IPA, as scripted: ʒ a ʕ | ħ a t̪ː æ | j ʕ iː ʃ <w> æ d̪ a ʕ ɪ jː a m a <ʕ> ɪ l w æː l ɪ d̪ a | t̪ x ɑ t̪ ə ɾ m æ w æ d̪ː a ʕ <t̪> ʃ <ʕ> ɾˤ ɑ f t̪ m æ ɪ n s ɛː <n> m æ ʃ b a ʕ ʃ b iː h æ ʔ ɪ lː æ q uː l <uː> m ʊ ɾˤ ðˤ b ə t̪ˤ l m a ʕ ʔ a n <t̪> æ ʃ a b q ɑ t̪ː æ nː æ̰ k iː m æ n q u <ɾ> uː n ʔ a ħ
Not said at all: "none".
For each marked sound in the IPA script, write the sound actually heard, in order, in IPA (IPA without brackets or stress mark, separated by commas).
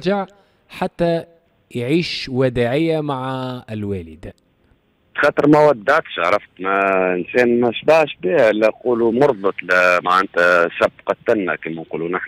w, ʕ, t̪, ʕ, n, u, t̪, l